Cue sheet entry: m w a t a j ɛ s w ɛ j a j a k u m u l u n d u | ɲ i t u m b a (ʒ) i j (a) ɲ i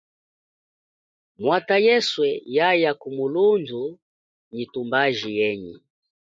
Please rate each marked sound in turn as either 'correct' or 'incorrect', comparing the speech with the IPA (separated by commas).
correct, incorrect